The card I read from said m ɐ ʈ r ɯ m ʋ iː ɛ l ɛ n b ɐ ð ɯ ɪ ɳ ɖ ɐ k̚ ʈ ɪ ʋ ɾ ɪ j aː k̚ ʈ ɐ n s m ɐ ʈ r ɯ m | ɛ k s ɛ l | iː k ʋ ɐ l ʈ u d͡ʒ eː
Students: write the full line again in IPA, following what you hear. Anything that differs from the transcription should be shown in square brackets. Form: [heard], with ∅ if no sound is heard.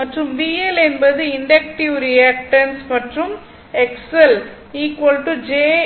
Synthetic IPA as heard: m ɐ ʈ r ɯ m ʋ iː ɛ l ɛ n b ɐ ð ɯ ɪ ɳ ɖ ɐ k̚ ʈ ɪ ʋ ɾ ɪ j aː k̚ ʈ ɐ n s m ɐ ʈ r ɯ m | ɛ k s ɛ l | iː k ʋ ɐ l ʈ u d͡ʒ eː